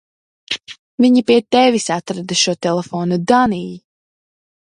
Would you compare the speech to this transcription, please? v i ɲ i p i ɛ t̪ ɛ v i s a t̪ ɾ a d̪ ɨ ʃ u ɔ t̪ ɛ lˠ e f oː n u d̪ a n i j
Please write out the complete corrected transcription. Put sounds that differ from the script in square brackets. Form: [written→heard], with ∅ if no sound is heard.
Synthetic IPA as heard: v i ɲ i p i ɛ t̪ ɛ v i s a t̪ ɾ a d̪ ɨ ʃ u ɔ t̪ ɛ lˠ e f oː n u d̪ a n i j